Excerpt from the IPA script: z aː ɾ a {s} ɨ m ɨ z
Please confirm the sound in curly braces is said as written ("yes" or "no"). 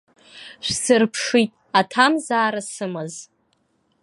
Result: yes